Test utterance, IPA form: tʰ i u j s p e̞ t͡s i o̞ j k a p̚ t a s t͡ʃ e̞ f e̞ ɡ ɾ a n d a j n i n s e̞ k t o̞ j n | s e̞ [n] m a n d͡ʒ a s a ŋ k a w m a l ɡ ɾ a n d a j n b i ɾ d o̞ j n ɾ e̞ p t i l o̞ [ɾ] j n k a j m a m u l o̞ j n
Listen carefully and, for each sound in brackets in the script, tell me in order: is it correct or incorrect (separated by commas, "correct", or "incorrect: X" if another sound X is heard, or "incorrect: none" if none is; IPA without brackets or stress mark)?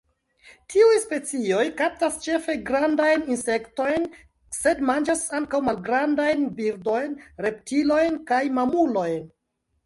incorrect: d, incorrect: none